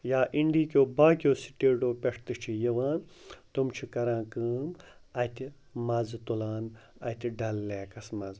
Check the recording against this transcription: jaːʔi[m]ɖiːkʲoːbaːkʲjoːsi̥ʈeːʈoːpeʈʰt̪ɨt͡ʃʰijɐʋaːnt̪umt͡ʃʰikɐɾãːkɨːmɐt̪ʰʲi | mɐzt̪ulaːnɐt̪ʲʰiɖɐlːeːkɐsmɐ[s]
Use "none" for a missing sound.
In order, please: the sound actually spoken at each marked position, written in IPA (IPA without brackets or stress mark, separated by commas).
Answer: ɳ, z